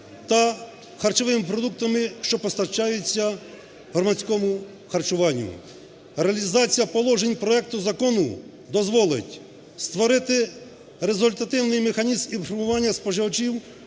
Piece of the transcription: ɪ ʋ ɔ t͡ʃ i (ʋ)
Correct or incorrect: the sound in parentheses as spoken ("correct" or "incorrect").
incorrect